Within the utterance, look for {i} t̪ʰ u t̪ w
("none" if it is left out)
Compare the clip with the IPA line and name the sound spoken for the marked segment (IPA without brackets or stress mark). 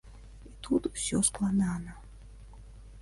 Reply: i